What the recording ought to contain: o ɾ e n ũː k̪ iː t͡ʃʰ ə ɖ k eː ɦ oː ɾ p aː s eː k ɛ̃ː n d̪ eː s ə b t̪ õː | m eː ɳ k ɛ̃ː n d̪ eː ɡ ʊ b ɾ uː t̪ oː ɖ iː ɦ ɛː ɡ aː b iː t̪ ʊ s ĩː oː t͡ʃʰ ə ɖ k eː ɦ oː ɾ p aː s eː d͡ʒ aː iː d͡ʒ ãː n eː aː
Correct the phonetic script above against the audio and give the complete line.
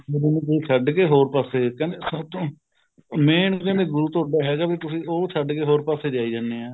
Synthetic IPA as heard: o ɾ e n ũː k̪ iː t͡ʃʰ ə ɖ k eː ɦ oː ɾ p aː s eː k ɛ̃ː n d̪ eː s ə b t̪ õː | m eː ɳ k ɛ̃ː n d̪ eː ɡ ʊ ɾ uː t̪ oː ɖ aː ɦ ɛː ɡ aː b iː t̪ ʊ s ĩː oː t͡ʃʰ ə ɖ k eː ɦ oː ɾ p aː s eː d͡ʒ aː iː d͡ʒ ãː n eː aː